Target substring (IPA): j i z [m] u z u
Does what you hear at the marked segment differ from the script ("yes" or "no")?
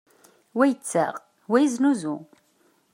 yes